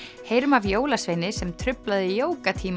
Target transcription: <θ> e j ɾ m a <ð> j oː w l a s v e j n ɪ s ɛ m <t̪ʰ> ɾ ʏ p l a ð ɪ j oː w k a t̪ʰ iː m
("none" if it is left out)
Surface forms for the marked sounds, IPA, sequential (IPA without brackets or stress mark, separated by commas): h, v, t̪ʰ